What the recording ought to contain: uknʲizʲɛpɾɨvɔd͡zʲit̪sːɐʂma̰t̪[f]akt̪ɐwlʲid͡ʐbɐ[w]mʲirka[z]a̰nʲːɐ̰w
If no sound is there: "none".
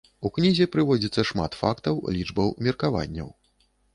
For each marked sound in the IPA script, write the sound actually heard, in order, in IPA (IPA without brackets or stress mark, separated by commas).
f, w, v